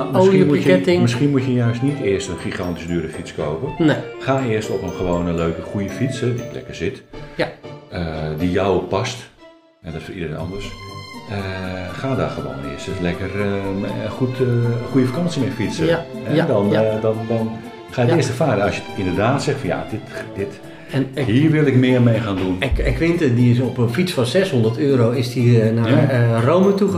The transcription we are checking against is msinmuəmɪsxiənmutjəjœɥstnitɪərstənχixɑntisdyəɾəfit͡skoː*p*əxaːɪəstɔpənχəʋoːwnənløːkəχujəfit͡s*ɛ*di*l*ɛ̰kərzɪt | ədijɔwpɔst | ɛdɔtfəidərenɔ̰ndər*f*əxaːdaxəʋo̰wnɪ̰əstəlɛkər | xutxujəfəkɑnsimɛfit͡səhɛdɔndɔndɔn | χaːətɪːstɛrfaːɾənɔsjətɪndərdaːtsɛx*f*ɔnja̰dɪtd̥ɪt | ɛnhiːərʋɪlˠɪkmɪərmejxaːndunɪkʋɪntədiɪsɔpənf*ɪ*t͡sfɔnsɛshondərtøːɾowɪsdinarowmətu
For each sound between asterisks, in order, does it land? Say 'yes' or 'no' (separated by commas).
yes, yes, yes, no, yes, no